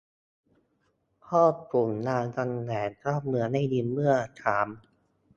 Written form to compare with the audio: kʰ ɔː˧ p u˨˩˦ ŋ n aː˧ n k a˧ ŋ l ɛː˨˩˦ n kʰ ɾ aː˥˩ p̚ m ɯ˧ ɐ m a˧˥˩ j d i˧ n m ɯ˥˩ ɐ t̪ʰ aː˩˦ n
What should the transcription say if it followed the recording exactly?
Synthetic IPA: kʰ ɔː˥˩ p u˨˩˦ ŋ n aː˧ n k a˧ ŋ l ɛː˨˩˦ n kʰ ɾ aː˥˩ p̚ m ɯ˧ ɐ n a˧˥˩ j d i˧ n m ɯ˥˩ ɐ t̪ʰ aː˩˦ m